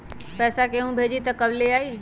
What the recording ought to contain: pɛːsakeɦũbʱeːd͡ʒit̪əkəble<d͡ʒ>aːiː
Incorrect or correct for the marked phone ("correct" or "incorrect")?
incorrect